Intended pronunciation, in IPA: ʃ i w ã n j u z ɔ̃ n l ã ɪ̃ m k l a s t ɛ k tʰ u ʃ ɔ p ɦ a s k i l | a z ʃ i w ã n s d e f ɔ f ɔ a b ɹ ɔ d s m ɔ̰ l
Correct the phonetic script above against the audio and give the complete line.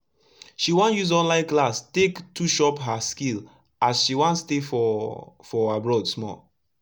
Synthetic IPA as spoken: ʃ i w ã n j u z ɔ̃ n l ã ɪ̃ n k l a s t e k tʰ u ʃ ɔ p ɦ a s k i l | a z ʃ i w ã n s t e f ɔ f ɔ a b ɹ ɔ d s m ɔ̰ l